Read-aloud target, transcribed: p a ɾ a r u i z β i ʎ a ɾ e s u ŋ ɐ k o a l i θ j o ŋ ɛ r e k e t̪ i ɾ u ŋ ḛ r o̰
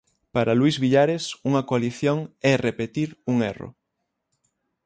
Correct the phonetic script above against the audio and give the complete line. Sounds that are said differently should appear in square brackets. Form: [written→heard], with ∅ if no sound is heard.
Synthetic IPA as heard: p a ɾ a [r→l] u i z β i ʎ a ɾ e s u ŋ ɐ k o a l i θ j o ŋ ɛ r e [k→p] e t̪ i ɾ u ŋ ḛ r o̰